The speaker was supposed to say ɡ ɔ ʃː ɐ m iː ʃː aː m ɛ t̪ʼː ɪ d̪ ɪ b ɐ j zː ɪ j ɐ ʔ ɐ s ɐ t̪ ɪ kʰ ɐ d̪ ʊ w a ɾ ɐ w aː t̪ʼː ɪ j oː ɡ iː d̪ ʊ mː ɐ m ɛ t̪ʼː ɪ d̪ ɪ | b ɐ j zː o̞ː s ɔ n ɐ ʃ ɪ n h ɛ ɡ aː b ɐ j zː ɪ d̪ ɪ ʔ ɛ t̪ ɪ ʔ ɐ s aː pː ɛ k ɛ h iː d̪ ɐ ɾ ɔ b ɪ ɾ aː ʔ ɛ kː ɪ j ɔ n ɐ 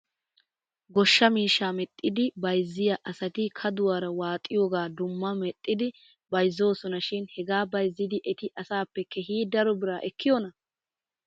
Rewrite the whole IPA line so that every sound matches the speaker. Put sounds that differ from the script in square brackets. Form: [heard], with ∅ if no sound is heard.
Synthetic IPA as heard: ɡ ɔ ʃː ɐ m iː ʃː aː m ɛ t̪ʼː ɪ d̪ ɪ b ɐ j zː ɪ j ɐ ʔ ɐ s ɐ t̪ ɪ kʰ ɐ d̪ ʊ w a ɾ ɐ w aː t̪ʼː ɪ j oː ɡ [aː] d̪ ʊ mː ɐ m ɛ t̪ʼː ɪ d̪ ɪ | b ɐ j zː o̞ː s ɔ n ɐ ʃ ɪ n h ɛ ɡ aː b ɐ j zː ɪ d̪ ɪ ʔ ɛ t̪ ɪ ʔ ɐ s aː pː ɛ k ɛ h iː d̪ ɐ ɾ ɔ b ɪ ɾ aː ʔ ɛ kː ɪ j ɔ n ɐ